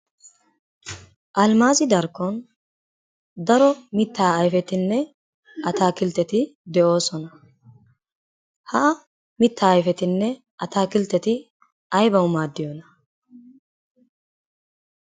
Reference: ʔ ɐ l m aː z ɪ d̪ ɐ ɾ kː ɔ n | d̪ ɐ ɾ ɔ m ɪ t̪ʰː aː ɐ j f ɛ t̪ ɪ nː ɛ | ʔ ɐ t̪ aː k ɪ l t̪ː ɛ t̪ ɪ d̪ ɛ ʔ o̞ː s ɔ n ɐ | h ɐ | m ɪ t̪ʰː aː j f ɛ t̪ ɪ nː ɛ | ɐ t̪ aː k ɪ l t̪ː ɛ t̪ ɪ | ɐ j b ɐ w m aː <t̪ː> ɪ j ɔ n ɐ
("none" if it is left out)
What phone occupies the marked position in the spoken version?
d̪ː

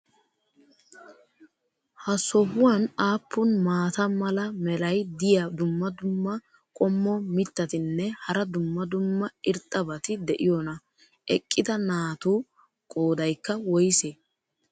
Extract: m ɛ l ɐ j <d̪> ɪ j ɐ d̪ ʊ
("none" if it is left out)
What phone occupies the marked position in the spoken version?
d̪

